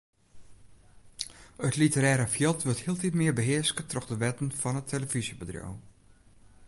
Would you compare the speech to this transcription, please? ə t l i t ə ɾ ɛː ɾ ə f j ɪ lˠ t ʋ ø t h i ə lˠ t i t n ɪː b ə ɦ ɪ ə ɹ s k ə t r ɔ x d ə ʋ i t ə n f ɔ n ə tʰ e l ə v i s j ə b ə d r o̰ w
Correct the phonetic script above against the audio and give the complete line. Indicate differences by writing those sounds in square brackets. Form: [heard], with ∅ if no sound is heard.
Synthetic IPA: ə t l i t ə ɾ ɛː ɾ ə f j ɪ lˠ t ʋ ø t h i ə lˠ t i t [m] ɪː b ə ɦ ɪ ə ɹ s k ə t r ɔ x d ə ʋ [ɛ] t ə n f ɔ n ə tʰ e l ə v i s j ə b ə d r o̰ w